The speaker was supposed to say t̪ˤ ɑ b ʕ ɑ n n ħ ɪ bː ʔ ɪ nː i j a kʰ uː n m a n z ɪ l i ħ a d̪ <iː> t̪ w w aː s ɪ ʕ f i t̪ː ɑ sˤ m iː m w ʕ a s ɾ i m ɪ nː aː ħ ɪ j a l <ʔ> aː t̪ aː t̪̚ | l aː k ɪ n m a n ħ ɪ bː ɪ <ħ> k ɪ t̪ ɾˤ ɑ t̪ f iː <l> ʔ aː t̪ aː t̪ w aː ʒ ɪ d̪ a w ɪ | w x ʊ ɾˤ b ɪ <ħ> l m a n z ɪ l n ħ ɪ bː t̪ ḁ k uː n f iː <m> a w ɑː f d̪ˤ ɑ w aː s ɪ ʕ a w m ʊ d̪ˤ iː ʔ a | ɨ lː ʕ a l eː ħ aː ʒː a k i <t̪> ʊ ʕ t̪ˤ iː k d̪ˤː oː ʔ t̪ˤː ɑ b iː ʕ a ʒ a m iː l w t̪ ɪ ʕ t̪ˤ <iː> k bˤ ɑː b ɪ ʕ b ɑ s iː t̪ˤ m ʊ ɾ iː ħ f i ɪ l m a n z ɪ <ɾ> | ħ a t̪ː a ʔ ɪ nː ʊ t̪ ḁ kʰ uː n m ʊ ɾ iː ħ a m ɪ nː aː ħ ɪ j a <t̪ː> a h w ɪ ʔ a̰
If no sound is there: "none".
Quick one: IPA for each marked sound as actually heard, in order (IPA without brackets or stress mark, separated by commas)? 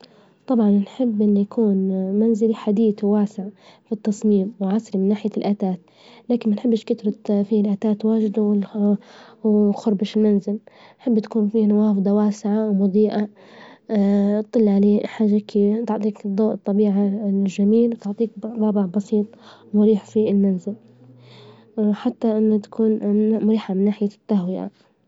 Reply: iː, ʔ, ʃ, l, ʃ, n, t̪, iː, l, t̪ː